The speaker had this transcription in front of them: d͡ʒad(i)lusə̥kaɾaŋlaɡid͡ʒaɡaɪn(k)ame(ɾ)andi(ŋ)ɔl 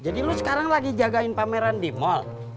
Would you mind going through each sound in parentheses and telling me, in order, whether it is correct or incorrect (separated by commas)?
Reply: correct, incorrect, correct, incorrect